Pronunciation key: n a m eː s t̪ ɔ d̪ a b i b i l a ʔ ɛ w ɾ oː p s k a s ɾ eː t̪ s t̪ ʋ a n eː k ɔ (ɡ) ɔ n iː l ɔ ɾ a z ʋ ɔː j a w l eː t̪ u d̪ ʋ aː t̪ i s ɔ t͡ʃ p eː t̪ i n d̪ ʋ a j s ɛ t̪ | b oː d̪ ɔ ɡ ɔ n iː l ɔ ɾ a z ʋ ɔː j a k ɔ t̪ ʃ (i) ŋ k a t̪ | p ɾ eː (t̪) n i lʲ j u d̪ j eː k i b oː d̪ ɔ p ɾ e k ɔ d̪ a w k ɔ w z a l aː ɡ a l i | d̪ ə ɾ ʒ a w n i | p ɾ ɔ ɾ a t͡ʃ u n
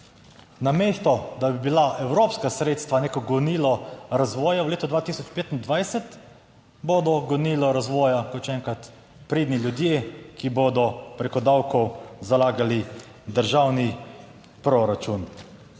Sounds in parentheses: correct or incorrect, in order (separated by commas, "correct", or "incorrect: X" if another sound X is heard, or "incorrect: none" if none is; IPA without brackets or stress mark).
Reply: correct, incorrect: ɛ, incorrect: d̪